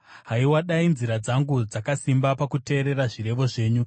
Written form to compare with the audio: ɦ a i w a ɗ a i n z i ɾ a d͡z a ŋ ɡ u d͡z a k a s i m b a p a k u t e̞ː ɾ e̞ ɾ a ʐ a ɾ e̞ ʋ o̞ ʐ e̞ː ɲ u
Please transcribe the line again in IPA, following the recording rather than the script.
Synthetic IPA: ɦ a i w a ɗ a i n z i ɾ a d͡z a ŋ ɡ u d͡z a k a s i m b a p a k u t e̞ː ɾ e̞ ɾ a ʐ i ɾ e̞ ʋ o̞ ʐ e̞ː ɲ u